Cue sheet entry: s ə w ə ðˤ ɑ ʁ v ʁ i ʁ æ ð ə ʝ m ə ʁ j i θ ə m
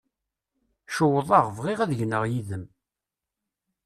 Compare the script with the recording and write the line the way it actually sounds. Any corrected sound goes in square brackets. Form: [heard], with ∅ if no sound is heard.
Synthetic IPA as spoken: [ʃ] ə w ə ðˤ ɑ ʁ v ʁ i ʁ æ ð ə ʝ [n] ə ʁ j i [ð] ə m